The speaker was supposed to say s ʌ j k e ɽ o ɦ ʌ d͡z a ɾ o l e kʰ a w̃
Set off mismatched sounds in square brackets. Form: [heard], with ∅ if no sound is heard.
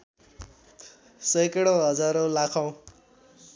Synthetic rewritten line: s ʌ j k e ɽ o ɦ ʌ d͡z a ɾ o l [a] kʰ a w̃